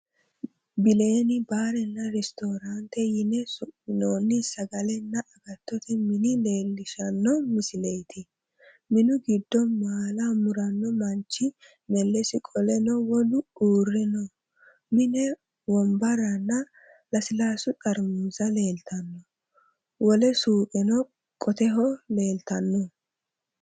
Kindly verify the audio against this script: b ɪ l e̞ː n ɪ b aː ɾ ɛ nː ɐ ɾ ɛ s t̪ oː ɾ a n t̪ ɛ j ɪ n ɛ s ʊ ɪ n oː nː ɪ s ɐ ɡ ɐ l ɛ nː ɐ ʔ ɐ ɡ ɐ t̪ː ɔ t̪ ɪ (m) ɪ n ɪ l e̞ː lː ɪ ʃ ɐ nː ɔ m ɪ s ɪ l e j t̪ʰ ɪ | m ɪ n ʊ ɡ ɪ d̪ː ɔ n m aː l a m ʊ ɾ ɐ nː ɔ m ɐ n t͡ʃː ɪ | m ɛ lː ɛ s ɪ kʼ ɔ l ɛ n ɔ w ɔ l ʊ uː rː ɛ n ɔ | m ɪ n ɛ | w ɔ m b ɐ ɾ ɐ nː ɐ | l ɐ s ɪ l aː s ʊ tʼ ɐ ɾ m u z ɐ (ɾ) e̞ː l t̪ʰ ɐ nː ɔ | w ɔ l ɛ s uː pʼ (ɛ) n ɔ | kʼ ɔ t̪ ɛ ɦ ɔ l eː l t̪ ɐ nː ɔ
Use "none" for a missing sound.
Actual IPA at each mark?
m, l, ɛ

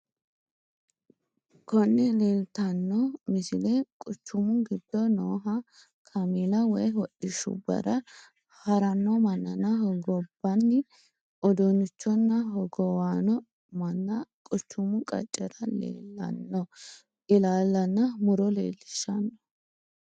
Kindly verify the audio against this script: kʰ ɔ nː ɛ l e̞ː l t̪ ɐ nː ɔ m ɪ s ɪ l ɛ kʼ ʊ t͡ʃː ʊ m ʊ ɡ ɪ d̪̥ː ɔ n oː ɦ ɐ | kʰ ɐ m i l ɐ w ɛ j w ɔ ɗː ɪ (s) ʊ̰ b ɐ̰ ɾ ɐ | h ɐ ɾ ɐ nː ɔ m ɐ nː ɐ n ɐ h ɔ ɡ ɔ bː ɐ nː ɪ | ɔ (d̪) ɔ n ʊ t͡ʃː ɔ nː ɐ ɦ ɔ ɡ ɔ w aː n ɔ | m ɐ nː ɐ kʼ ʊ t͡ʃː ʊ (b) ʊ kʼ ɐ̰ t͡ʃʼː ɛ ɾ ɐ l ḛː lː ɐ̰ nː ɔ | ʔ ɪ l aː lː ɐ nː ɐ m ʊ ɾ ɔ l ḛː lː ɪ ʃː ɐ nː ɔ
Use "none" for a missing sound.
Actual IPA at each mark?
ʃ, d̪, m

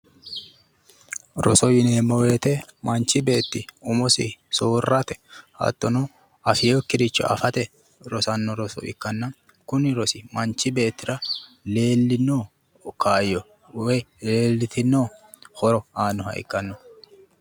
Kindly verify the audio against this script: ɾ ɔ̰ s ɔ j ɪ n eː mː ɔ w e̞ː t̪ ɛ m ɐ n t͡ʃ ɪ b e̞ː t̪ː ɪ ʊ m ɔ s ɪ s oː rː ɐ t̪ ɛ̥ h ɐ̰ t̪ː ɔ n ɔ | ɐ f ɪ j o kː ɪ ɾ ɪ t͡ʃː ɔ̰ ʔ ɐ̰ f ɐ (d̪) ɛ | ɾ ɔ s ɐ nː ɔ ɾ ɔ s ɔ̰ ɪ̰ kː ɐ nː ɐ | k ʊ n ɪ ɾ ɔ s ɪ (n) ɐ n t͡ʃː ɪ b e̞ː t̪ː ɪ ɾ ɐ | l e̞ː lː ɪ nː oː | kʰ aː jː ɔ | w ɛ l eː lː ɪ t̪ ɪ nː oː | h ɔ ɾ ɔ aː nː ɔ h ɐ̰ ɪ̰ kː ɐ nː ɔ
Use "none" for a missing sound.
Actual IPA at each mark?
t̪, m

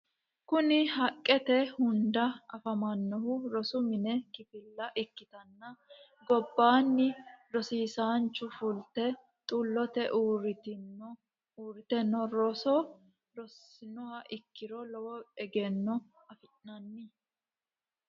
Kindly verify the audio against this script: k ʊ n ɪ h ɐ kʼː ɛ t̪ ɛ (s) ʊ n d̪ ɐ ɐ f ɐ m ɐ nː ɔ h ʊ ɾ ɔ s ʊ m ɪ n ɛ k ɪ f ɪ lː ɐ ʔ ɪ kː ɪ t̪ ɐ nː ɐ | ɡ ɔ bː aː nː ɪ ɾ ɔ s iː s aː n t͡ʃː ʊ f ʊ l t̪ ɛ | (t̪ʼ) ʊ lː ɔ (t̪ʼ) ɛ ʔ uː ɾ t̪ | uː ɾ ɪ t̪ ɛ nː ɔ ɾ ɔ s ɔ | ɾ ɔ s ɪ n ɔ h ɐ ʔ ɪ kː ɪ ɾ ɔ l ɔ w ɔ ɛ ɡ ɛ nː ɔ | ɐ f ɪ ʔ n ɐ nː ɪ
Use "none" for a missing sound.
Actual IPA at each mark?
h, t̪ʼ, t̪

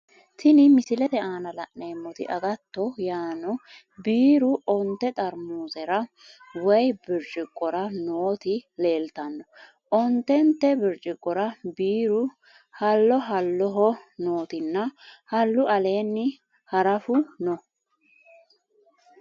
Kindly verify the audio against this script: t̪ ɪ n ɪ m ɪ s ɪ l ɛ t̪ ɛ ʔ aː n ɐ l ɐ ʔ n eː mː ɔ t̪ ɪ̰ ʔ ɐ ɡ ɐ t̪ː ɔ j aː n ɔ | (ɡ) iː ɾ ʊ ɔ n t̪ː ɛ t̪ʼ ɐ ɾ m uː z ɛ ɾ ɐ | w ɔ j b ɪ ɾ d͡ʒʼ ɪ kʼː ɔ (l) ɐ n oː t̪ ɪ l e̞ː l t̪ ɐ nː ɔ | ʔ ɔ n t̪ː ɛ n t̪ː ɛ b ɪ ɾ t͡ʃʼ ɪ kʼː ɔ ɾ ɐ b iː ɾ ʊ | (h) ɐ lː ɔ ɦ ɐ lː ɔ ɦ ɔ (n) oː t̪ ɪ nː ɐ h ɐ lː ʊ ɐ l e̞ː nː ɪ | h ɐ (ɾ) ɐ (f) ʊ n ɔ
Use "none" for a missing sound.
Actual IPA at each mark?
b, ɾ, h, n, ɾ, f

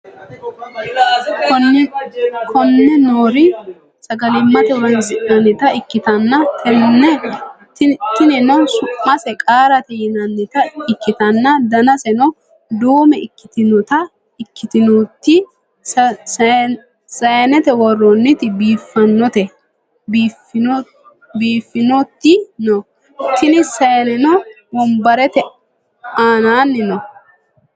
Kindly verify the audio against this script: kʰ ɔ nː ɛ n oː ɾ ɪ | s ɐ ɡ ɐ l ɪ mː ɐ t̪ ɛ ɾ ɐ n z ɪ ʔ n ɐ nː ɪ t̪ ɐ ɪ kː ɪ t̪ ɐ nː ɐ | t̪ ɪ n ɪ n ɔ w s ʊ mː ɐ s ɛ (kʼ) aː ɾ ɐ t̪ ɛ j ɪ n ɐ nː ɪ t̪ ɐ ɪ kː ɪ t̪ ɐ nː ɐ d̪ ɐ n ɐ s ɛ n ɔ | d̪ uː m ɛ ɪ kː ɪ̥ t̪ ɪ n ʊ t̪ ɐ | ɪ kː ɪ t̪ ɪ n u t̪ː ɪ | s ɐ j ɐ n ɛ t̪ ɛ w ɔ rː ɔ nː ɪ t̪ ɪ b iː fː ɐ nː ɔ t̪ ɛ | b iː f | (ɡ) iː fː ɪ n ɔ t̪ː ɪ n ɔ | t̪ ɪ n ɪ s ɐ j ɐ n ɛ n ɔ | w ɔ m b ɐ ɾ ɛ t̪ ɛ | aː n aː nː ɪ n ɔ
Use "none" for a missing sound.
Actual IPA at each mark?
kʼ, b

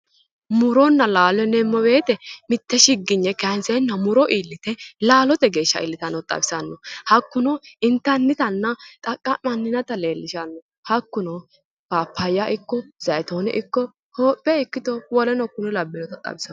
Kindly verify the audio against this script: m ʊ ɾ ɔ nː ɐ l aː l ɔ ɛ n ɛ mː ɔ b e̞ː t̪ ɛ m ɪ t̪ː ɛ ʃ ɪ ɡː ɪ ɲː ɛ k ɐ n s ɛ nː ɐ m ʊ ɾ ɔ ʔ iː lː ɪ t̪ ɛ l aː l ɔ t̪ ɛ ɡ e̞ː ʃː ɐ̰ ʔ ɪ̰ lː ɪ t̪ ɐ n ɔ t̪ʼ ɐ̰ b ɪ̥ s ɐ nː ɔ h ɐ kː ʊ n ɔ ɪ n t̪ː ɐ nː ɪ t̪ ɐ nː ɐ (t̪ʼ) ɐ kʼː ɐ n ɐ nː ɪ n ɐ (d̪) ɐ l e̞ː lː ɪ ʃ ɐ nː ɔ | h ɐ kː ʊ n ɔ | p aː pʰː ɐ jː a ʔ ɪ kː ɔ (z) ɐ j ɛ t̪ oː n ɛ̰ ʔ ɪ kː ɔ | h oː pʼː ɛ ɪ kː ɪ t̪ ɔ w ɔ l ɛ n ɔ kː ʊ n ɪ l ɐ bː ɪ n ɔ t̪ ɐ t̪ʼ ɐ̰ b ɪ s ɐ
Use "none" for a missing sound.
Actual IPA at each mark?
t̪ʼ, t̪, z

